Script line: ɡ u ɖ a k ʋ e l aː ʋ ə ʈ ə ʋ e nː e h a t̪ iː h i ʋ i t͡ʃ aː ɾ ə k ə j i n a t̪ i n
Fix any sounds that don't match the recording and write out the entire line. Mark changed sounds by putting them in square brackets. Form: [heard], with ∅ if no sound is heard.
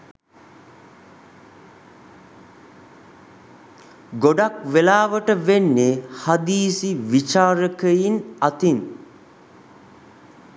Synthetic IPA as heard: ɡ [o] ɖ a k ʋ e l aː ʋ ə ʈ ə ʋ e nː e h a [d̪] iː [s] i ʋ i t͡ʃ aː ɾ ə k ə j i n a t̪ i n